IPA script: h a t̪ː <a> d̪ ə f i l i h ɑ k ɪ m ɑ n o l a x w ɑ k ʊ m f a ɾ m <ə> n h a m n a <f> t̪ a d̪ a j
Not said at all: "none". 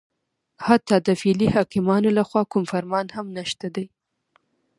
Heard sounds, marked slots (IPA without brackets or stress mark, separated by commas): ɑ, ɑ, ʃ